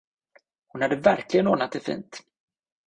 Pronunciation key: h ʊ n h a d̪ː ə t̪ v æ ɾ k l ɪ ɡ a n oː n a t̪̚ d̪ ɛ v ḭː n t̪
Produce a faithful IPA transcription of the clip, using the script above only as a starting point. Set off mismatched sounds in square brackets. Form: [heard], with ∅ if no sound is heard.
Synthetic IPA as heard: h ʊ n h a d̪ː ə [∅] v æ ɾ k l ɪ ɡ [ə] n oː n a t̪̚ d̪ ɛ [f] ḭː n t̪